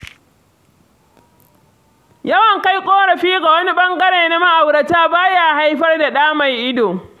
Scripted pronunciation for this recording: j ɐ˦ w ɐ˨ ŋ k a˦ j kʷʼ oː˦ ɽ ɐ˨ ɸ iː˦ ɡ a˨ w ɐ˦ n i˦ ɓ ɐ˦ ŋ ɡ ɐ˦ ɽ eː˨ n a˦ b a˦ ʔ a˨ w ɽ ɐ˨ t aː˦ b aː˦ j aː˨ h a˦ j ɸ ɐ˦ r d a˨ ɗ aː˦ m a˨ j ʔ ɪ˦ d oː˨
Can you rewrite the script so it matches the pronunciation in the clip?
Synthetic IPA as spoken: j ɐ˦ w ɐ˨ ŋ k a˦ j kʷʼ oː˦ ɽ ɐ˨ ɸ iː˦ ɡ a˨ w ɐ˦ n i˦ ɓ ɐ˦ ŋ ɡ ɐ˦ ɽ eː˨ n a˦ m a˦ ʔ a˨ w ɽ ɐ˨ t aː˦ b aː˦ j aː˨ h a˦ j ɸ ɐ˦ r d a˨ ɗ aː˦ m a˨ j ʔ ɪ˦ d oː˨